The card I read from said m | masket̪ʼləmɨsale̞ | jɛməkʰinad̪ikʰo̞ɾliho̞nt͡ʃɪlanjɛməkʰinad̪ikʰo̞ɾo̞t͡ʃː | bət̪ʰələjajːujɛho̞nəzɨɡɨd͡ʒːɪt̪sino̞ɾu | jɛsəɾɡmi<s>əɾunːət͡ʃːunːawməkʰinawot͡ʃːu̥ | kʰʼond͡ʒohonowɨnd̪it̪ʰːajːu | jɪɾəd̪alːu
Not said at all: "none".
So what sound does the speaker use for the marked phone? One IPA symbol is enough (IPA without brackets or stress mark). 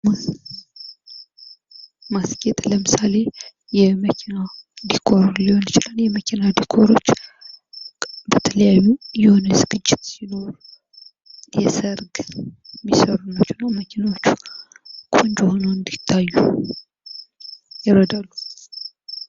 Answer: s